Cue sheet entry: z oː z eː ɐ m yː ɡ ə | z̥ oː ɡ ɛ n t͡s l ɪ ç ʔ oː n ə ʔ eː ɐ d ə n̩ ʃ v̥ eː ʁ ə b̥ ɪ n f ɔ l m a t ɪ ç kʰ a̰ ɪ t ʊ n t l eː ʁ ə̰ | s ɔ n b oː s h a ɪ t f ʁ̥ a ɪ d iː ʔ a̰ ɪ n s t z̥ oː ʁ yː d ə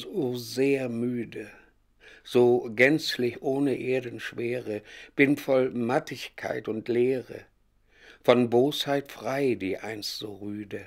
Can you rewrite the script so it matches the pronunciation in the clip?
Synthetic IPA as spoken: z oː z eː ɐ m yː d ə | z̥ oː ɡ ɛ n t͡s l ɪ ç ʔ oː n ə ʔ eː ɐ d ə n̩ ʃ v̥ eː ʁ ə b̥ ɪ n f ɔ l m a t ɪ ç kʰ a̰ ɪ t ʊ n t l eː ʁ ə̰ | f ɔ n b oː s h a ɪ t f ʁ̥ a ɪ d iː ʔ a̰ ɪ n s t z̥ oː ʁ yː d ə